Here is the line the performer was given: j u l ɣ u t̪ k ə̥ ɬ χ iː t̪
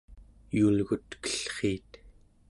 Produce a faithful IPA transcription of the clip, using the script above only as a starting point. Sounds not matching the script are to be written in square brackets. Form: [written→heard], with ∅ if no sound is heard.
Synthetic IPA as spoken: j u l ɣ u t̪ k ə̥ ɬ χ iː t̪